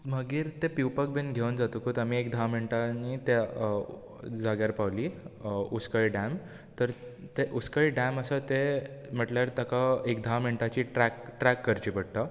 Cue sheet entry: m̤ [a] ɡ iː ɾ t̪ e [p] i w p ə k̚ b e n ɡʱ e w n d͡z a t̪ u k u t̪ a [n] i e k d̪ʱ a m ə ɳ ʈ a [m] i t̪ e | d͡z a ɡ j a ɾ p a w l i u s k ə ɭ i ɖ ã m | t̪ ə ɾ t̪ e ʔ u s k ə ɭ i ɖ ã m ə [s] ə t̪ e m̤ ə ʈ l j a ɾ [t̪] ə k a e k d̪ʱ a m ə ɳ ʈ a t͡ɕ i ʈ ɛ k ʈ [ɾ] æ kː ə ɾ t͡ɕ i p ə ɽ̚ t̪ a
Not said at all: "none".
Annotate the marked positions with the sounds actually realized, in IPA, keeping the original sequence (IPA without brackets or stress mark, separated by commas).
ə, p, m, n, s, t̪, ɾ